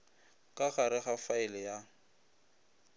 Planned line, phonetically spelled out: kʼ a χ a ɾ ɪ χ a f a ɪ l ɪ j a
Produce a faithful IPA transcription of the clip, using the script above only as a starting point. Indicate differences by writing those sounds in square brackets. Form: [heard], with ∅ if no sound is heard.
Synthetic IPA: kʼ a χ a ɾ ɪ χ a f a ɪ l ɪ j a